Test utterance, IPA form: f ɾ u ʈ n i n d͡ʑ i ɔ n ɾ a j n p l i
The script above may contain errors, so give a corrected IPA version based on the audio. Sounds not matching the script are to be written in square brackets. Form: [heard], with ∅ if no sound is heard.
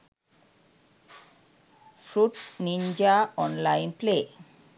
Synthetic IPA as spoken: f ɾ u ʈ n i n d͡ʑ [a] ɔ n [l] a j n p l [e]